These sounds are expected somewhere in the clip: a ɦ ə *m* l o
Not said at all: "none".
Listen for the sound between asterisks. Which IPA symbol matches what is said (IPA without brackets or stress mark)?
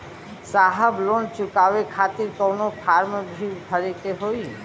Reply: b